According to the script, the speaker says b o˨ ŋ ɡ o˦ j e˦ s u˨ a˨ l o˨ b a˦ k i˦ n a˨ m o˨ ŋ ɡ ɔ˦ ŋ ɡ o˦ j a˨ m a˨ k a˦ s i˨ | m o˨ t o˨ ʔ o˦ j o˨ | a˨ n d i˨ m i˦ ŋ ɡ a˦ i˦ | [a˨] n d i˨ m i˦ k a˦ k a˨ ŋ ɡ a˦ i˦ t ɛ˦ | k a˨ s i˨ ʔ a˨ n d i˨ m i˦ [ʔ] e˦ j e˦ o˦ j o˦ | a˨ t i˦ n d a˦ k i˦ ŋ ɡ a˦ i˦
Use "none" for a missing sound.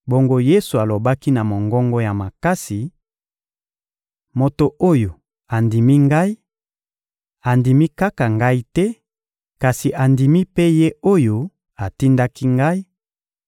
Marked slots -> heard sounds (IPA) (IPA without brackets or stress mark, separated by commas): a˨, p